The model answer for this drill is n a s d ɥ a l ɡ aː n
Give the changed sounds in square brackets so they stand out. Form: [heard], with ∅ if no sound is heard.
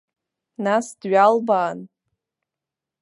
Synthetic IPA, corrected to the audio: n a s d ɥ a l [b] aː n

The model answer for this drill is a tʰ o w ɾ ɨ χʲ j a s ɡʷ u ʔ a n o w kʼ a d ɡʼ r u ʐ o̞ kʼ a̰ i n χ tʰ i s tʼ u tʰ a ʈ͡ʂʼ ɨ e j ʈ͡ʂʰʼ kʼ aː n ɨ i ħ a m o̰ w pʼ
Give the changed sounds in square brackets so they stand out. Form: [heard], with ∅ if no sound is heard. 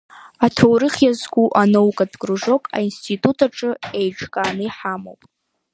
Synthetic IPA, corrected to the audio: a tʰ o w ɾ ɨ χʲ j a [z] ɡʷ u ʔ a n o w kʼ a d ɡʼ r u ʐ o̞ kʼ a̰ i n [s] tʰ i [∅] tʼ u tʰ a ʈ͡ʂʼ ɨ e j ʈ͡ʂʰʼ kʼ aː n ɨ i ħ a m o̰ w pʼ

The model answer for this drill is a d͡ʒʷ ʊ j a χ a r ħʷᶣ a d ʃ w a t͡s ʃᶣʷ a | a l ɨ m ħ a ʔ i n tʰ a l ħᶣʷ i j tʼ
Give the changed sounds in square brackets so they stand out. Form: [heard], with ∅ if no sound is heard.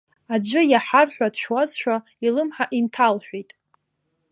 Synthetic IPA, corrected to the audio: a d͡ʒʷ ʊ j a [ħ] a r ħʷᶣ a d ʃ w a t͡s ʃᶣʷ a | [i] l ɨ m ħ a ʔ i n tʰ a l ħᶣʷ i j tʼ

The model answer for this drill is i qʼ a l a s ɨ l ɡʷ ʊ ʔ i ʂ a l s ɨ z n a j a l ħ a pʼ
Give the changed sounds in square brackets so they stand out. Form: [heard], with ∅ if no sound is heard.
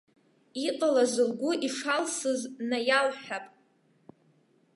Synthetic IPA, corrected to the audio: i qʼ a l a [z] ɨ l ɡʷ ʊ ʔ i ʂ a l s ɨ z n a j a l ħ a pʼ

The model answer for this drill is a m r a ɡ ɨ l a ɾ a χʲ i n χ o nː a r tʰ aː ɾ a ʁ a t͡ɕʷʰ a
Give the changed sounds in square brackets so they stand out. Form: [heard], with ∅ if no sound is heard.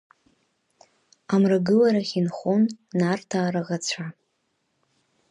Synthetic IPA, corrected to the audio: a m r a ɡ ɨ l a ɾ a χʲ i n χ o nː a r tʰ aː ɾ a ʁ a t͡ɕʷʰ a

